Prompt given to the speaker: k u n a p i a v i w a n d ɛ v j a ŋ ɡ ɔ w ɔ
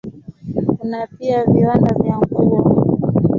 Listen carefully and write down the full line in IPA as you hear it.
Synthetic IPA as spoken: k u n a p i a v i w a n d a v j a ŋ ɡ u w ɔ